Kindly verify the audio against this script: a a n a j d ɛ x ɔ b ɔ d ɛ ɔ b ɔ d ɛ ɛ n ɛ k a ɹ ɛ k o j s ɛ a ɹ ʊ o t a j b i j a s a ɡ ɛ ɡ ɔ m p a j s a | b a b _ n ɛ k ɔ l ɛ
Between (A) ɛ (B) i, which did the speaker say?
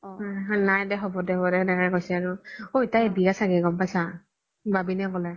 B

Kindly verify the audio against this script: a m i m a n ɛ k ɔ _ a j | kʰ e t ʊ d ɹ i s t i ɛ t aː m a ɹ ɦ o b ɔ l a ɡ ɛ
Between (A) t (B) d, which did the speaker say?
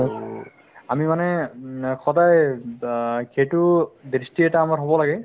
B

